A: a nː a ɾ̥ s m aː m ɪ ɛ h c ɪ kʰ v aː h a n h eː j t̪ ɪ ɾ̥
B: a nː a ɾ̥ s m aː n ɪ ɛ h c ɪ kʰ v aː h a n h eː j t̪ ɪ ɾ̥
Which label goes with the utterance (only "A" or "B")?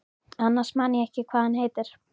B